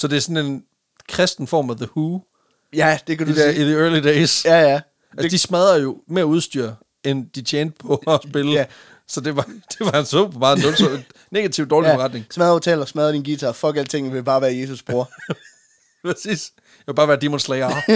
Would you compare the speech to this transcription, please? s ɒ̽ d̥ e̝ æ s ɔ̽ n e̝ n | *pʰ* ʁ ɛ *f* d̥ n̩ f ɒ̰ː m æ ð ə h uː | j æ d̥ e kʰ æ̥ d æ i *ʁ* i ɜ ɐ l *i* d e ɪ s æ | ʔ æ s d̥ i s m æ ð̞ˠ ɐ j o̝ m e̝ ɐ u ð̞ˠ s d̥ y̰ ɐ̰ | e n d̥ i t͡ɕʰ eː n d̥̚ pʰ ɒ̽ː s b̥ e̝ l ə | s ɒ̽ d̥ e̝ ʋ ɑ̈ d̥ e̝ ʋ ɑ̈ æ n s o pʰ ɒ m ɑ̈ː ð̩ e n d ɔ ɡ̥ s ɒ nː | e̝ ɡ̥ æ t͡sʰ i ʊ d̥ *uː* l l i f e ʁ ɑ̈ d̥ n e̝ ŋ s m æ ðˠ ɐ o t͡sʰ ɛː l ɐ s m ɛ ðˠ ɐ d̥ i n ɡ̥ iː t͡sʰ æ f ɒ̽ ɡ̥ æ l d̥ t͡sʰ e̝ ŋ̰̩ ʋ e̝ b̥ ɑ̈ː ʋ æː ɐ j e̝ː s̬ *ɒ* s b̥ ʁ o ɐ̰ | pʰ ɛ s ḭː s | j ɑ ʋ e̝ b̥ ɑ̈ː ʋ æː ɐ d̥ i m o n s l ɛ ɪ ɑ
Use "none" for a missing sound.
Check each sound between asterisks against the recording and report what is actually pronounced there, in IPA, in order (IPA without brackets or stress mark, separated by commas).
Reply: kʰ, s, ð, i, ɒː, u